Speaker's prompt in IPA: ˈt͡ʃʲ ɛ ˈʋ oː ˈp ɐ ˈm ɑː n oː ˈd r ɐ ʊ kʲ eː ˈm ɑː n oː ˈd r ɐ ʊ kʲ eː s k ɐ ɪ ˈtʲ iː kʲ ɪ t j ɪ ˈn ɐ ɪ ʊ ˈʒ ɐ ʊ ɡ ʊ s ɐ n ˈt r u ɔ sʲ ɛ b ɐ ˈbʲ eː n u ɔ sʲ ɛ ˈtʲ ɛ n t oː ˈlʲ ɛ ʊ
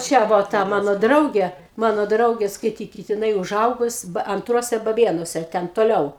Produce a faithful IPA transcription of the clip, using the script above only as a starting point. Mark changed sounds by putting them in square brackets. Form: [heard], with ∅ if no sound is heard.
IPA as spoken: ˈt͡ʃʲ ɛ ˈʋ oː [ˈt] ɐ ˈm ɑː n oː ˈd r ɐ ʊ [ɡʲ] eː ˈm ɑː n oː ˈd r ɐ ʊ [ɡʲ] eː s k ɐ ɪ ˈtʲ iː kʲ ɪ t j ɪ ˈn ɐ ɪ ʊ ˈʒ ɐ ʊ ɡ ʊ s ɐ n ˈt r u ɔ sʲ ɛ b ɐ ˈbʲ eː n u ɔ sʲ ɛ ˈtʲ ɛ n t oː ˈlʲ ɛ ʊ